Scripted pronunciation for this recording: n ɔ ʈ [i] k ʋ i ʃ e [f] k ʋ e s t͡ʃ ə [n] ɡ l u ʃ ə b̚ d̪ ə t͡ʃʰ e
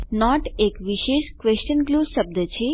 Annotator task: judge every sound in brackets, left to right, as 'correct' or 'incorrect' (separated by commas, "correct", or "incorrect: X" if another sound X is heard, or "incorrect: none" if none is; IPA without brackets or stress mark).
incorrect: e, incorrect: ʃ, correct